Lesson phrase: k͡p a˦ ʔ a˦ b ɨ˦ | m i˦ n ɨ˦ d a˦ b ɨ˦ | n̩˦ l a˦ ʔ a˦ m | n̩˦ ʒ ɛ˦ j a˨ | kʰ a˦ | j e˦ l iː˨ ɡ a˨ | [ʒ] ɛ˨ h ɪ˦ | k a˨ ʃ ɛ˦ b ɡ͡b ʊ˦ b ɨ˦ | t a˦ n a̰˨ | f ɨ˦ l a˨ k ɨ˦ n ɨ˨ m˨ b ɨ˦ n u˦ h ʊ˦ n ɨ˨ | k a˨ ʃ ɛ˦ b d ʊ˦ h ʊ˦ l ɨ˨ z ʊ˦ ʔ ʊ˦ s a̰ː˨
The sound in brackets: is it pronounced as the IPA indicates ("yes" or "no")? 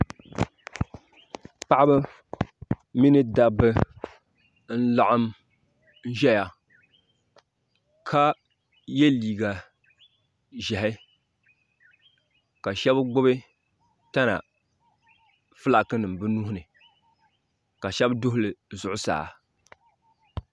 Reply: yes